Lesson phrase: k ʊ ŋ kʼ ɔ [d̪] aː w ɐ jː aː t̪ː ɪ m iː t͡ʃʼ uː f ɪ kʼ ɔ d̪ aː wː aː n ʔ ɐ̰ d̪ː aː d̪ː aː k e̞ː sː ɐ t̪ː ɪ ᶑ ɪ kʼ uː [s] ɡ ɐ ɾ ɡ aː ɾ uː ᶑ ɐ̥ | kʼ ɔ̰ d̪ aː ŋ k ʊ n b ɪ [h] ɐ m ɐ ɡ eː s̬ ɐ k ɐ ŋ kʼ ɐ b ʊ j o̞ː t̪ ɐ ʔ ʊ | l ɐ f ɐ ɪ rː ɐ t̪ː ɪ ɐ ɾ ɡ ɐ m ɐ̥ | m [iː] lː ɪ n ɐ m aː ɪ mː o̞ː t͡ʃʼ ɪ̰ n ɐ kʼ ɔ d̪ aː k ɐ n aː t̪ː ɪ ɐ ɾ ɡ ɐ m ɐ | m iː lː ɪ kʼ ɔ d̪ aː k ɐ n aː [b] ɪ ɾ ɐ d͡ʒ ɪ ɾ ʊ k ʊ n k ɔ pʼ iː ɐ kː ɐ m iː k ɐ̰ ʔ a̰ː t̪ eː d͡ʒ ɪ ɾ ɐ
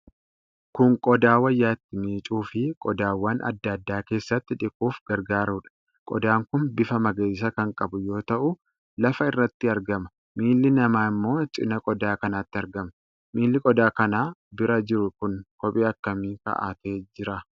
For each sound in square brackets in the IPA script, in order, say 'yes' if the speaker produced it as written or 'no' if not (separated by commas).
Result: yes, no, no, yes, yes